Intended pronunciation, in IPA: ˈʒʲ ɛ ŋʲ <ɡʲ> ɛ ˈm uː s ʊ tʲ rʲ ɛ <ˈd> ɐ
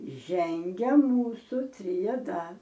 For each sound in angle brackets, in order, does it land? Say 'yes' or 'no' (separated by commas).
yes, yes